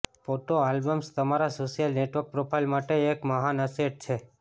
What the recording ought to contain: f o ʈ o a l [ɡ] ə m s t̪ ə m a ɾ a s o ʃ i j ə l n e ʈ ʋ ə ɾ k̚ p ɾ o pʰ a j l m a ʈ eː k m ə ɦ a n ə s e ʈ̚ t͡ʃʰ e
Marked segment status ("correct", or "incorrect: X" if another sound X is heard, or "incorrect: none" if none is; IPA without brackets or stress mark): incorrect: b